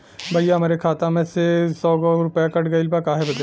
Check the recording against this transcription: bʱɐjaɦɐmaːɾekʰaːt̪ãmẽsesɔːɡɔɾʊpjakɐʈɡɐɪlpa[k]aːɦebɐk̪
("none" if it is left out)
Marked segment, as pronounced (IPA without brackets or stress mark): k